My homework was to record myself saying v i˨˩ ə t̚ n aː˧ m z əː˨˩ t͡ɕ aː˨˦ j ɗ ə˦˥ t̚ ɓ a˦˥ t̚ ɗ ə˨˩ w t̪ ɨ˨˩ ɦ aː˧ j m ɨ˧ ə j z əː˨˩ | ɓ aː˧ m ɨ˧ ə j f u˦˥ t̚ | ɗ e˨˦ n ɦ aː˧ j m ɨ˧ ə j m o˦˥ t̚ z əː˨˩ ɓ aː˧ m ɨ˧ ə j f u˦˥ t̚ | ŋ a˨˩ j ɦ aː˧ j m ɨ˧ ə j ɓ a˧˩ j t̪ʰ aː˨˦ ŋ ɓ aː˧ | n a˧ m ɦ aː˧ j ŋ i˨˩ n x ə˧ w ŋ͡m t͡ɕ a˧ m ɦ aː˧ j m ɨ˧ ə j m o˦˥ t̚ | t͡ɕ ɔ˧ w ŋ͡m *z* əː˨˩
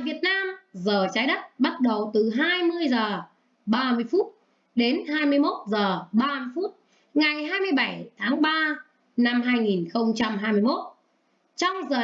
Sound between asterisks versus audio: correct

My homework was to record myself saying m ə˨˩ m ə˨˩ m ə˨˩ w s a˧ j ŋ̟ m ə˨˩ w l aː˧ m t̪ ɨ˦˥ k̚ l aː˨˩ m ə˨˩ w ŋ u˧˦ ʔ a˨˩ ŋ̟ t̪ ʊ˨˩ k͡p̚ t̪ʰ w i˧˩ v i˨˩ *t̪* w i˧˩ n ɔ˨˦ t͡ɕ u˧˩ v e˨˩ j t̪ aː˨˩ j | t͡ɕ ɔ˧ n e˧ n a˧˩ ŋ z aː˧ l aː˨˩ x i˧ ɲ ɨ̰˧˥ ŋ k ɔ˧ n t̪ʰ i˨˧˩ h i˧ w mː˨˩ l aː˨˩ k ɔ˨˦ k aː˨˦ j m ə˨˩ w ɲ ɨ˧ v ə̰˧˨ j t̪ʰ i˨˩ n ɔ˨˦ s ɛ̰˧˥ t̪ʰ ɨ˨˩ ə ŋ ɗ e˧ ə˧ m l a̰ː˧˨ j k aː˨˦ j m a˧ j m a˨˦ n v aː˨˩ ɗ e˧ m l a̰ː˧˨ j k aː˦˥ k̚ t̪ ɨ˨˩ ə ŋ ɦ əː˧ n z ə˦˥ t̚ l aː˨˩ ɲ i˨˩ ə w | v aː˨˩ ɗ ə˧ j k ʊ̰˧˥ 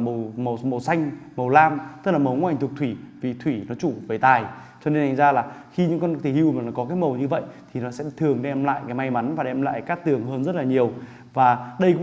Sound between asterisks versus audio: incorrect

